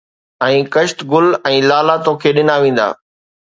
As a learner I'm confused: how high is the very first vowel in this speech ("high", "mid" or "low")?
mid